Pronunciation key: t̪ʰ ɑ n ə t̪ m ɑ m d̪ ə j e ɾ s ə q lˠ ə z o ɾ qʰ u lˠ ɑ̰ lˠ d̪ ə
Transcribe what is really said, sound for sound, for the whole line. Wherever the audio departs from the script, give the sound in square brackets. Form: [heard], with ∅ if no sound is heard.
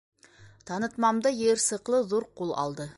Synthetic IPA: t̪ʰ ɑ n ə t̪ m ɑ m d̪ ə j e ɾ s ə q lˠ ə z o ɾ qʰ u lˠ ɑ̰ lˠ d̪ ə